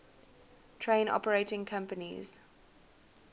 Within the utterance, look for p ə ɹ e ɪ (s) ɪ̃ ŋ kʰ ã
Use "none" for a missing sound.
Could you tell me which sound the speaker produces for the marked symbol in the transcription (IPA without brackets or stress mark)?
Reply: t